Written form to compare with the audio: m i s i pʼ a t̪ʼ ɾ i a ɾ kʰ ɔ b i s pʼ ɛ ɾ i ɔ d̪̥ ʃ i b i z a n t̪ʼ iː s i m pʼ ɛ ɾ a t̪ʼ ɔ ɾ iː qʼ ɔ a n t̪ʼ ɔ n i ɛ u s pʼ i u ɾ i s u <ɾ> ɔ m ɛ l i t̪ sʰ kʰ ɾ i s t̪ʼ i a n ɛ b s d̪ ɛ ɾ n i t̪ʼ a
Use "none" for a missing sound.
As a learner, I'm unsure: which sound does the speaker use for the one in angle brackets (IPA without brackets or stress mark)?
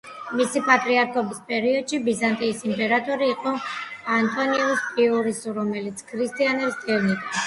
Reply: ɾ